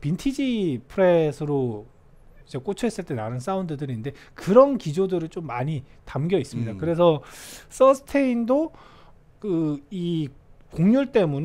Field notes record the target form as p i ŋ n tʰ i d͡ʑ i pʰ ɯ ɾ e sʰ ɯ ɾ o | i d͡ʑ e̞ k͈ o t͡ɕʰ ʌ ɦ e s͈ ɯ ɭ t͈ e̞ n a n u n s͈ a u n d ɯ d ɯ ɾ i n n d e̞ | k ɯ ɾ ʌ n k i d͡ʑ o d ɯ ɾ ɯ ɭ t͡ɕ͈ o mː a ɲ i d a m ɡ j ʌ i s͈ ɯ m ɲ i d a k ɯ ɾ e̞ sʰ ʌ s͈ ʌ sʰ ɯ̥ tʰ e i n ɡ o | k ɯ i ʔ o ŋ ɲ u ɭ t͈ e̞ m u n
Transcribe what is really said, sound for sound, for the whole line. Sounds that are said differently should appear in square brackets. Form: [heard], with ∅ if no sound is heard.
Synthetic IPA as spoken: p i [∅] n tʰ i d͡ʑ i pʰ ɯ ɾ e sʰ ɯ ɾ o | i d͡ʑ e̞ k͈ o t͡ɕʰ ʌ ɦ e s͈ ɯ ɭ t͈ e̞ n a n [ɯ] n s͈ a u n d ɯ d ɯ ɾ i n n d e̞ | k ɯ ɾ ʌ n k i d͡ʑ o d ɯ ɾ ɯ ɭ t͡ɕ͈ o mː a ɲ i [t] a m ɡ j ʌ i s͈ ɯ m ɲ i d a k ɯ ɾ e̞ sʰ ʌ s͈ ʌ sʰ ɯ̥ tʰ e i n [d] o | k ɯ i [k] o ŋ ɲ u ɭ t͈ e̞ m u n